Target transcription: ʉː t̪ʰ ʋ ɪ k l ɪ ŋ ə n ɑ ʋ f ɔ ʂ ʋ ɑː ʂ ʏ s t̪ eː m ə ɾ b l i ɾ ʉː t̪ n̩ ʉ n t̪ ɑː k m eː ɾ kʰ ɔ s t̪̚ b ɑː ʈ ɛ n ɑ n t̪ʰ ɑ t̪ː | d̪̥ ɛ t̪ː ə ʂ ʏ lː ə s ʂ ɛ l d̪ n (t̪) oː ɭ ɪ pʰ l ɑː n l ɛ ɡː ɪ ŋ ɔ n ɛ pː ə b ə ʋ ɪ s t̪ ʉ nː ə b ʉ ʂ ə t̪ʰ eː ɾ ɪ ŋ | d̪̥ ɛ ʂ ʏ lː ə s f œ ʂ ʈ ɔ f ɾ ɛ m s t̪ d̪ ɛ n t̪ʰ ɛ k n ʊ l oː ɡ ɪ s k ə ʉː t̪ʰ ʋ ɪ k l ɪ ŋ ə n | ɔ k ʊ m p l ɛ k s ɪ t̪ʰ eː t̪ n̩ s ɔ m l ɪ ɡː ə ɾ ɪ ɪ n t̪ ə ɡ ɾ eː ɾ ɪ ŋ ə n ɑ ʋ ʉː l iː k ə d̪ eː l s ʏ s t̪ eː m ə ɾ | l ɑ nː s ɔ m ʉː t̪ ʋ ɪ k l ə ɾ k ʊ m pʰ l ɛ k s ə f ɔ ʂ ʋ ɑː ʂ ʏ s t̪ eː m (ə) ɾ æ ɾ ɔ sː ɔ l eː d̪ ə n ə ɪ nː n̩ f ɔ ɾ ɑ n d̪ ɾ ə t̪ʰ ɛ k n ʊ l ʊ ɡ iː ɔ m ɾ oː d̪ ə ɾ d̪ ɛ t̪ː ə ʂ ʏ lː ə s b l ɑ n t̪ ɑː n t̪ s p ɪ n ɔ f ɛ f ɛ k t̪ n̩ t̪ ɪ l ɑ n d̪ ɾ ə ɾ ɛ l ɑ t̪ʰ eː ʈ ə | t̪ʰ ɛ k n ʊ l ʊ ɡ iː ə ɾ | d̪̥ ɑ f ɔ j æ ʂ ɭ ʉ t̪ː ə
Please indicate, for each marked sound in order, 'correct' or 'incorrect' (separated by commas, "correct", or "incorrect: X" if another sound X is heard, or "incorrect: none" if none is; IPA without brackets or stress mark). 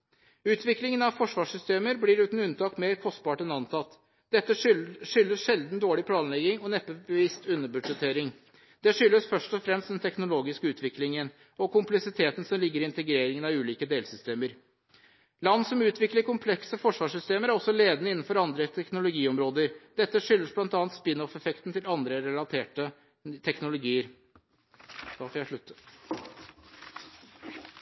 incorrect: d̪, correct